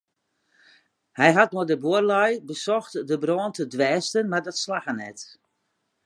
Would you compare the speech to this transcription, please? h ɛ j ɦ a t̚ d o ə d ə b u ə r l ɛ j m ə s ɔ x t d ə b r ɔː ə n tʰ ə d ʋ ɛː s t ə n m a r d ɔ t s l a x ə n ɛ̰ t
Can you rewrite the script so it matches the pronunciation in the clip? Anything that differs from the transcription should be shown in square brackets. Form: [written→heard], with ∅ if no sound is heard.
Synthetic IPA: h ɛ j ɦ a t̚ [d→n] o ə d ə b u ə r l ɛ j [m→b] ə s ɔ x t d ə b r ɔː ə n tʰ ə d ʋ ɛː s t ə n m a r d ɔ t s l a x ə n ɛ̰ t